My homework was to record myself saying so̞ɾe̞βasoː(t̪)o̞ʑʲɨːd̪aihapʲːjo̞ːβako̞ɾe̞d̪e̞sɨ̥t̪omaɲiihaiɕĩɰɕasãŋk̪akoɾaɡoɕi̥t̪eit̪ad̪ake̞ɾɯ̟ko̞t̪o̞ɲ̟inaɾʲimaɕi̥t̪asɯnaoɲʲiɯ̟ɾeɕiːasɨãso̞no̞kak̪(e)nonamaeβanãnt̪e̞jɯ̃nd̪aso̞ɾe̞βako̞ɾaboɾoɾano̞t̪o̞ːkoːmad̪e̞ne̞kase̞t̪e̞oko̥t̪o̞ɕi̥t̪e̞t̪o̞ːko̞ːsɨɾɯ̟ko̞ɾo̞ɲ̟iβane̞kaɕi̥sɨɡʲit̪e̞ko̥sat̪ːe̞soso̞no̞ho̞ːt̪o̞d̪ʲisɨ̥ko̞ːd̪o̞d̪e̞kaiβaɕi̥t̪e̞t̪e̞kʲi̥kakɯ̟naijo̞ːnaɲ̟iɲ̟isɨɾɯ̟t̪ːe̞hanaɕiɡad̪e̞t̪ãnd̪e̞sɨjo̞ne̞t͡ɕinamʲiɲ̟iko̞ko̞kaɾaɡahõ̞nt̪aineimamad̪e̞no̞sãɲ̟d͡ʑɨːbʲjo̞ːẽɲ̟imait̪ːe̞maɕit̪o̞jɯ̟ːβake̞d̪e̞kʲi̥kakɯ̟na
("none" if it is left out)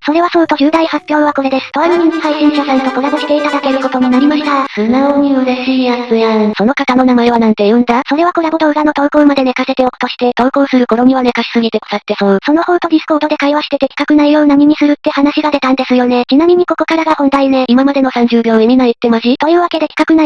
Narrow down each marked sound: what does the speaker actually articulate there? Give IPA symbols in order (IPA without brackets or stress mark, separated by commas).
t̪, a